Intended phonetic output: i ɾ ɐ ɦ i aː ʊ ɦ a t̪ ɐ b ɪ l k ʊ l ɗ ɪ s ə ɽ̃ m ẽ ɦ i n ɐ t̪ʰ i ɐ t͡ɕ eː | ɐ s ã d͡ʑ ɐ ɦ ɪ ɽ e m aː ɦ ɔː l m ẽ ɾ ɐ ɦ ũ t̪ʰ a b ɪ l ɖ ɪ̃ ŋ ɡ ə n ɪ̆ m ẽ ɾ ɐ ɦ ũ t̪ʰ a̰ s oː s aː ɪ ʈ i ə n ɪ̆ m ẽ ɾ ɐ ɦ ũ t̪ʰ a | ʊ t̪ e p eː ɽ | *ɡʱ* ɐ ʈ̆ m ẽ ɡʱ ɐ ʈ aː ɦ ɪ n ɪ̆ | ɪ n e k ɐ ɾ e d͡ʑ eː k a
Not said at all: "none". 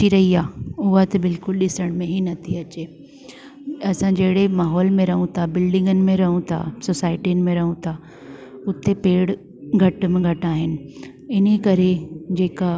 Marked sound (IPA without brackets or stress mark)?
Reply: ɡʱ